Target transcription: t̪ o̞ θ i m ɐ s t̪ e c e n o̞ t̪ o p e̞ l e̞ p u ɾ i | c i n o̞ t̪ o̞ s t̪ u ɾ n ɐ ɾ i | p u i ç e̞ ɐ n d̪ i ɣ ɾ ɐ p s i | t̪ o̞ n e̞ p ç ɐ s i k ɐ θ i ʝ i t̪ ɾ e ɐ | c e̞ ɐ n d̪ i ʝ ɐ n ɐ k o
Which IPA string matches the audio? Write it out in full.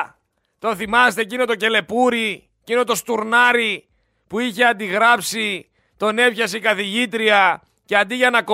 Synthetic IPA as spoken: t̪ o̞ θ i m ɐ s t̪ e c i n o̞ t̪ o c e̞ l e̞ p u ɾ i | c i n o̞ t̪ o̞ s t̪ u ɾ n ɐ ɾ i | p u i ç e̞ ɐ n d̪ i ɣ ɾ ɐ p s i | t̪ o̞ n e̞ p ç ɐ s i k ɐ θ i ʝ i t̪ ɾ i ɐ | c e̞ ɐ n d̪ i ʝ ɐ n ɐ k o